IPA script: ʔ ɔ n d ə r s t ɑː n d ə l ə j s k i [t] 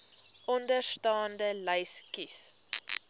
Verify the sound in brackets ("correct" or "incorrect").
incorrect